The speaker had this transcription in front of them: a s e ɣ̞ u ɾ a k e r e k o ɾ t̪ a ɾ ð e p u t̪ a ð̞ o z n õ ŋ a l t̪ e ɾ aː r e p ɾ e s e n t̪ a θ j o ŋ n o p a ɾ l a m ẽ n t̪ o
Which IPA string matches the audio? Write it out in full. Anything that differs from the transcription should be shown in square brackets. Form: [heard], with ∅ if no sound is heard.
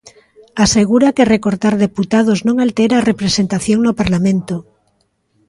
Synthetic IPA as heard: a s e ɣ̞ u ɾ a k e r e k o ɾ t̪ a ɾ ð e p u t̪ a ð̞ o z n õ ŋ a l t̪ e ɾ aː r e p ɾ e s e n t̪ a θ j o ŋ n o p a ɾ l a m ẽ n t̪ o